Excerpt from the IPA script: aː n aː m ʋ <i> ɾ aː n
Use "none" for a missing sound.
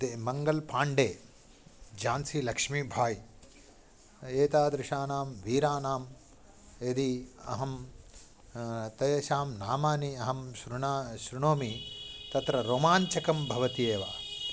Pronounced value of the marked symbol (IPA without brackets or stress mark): iː